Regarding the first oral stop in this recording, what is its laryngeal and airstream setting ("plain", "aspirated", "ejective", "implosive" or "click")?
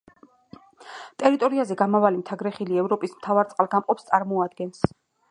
ejective